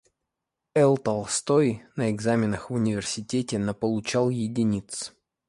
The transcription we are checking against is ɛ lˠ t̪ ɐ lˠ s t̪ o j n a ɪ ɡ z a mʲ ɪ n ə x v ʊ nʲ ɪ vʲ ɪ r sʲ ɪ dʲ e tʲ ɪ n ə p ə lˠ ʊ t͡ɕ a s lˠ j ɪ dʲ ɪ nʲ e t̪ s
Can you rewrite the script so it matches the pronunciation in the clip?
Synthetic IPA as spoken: ɛ lˠ t̪ ɐ lˠ s t̪ o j n ə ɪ ɡ z a mʲ ɪ n ə x v ʊ nʲ ɪ vʲ ɪ r sʲ ɪ tʲ e tʲ ɪ n ə p ə lˠ ʊ t͡ɕ a lˠ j ɪ dʲ ɪ nʲ i t̪ s